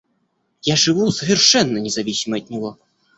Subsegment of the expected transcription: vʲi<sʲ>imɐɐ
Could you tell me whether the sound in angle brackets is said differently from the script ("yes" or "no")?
no